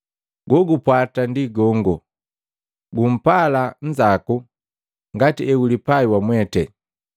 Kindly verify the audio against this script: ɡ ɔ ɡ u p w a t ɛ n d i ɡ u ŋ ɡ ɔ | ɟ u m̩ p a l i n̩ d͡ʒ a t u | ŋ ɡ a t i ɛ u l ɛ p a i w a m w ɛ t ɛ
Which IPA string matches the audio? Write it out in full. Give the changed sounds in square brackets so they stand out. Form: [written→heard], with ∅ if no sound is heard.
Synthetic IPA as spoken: ɡ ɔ ɡ u p w a t [ɛ→a] n d i ɡ [u→ɔ] ŋ ɡ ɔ | [ɟ→ɡ] u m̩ p a l [i→a] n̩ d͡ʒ a [t→k] u | ŋ ɡ a t i ɛ u l [ɛ→i] p a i w a m w ɛ t ɛ